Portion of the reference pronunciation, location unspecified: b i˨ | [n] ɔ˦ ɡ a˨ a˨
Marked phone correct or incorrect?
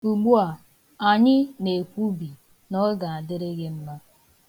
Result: correct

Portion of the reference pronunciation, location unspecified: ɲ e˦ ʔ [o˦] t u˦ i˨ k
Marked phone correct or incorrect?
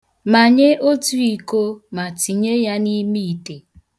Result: correct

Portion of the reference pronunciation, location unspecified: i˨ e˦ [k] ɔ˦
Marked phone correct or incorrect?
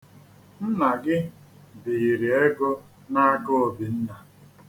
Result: incorrect: ɡ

